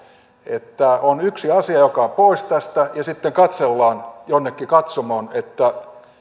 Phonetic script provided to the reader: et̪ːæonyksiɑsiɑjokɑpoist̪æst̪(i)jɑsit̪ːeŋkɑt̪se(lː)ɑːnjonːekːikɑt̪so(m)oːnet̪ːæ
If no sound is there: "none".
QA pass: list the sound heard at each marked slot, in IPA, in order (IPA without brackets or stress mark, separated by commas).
æ, lː, m